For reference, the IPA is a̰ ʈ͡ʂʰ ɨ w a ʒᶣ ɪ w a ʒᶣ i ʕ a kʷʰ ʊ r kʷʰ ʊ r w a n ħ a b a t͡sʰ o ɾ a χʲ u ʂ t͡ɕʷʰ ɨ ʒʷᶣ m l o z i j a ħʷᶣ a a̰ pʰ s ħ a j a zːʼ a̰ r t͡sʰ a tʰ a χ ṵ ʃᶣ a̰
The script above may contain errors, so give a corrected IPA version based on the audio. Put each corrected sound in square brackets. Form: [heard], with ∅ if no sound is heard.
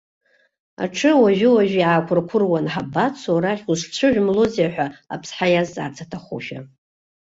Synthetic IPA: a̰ ʈ͡ʂʰ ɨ w a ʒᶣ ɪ w a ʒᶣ i ʕ a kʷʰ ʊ r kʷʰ ʊ r w a n ħ a b a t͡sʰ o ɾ a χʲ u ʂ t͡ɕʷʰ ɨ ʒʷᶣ m l o z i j a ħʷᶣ a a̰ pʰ s ħ a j a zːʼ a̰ r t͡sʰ a tʰ a χ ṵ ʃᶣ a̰